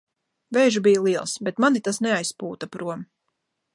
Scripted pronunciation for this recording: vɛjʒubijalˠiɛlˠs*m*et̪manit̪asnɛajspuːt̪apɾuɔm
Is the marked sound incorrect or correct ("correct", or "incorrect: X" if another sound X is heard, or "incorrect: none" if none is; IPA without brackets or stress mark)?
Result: incorrect: b